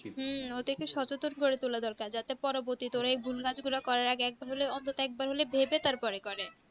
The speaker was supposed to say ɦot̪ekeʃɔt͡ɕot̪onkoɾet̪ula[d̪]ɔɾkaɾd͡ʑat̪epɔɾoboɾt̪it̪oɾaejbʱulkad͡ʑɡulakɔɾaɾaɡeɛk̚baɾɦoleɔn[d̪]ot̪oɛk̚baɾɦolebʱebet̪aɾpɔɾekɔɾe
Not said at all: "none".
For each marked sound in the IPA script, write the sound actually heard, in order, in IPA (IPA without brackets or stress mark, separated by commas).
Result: d̪, t̪